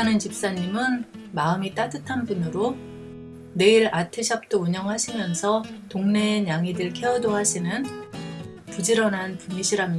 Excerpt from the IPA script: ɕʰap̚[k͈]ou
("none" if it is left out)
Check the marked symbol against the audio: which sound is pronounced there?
t͈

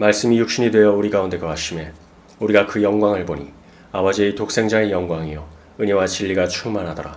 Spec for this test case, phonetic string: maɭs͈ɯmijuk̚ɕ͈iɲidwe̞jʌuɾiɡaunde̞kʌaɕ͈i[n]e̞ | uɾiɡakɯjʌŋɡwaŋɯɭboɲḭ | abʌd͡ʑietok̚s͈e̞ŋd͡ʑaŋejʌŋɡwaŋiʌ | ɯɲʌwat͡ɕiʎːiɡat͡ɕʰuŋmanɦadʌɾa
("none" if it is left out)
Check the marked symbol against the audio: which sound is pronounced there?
m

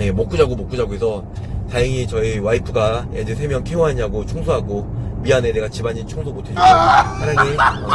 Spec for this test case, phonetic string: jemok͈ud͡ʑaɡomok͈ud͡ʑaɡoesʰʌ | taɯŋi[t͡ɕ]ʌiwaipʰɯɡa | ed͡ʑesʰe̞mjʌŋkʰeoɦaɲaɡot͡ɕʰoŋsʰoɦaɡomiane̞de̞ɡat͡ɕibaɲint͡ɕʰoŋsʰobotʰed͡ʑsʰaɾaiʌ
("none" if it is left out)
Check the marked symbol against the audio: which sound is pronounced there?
t͡ɕ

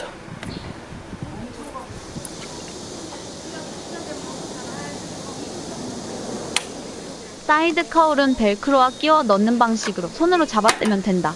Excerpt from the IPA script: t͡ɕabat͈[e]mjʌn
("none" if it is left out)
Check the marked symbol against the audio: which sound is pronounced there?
e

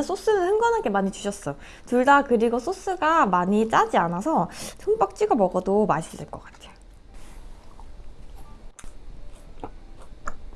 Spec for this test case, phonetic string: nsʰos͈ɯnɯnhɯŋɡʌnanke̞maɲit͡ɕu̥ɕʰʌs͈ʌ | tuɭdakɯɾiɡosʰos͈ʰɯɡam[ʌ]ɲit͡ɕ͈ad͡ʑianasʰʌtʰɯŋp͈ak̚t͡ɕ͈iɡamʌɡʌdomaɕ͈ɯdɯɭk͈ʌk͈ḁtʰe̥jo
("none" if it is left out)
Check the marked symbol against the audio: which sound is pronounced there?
a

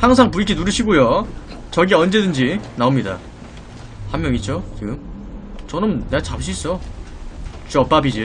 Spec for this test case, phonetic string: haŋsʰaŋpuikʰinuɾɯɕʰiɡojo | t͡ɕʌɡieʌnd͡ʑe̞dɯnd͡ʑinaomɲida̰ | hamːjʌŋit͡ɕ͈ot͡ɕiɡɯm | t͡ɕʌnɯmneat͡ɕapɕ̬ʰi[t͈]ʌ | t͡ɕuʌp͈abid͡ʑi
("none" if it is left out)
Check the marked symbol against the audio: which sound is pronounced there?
s͈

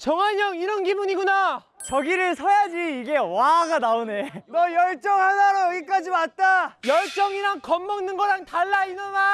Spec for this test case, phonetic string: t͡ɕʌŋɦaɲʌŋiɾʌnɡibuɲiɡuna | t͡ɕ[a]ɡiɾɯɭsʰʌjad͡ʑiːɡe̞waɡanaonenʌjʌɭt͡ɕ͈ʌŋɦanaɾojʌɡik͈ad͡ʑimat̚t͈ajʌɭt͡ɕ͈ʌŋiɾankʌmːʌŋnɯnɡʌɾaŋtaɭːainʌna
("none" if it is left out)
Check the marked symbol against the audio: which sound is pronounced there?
ʌ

